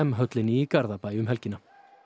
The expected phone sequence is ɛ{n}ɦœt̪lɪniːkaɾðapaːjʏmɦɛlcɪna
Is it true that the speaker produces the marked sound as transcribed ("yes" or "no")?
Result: no